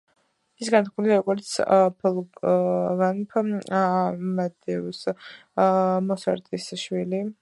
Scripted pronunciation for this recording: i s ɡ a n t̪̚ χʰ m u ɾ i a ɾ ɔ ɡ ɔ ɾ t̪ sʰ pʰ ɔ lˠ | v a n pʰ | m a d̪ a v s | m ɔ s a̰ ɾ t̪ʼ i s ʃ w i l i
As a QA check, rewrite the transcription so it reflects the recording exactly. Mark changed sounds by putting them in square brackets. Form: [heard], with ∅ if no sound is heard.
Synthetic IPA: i s ɡ a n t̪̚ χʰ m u [l] i a ɾ ɔ ɡ ɔ ɾ t̪ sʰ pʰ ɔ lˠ | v a n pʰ | m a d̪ [ɛ] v s | m ɔ s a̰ ɾ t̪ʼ i s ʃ w i l i